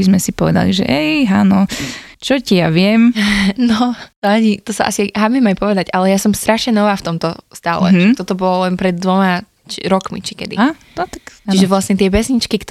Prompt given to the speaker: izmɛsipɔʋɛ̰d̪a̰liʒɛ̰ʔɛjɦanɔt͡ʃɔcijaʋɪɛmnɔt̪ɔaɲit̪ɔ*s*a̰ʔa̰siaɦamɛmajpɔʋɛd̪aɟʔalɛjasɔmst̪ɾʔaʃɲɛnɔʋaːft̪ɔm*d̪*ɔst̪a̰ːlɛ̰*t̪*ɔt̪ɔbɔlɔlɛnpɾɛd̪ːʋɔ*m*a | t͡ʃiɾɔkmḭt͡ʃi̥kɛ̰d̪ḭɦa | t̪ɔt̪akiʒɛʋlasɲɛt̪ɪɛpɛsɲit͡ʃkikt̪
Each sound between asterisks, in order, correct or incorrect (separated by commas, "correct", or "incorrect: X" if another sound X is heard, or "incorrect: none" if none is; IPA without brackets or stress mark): correct, incorrect: t̪, correct, correct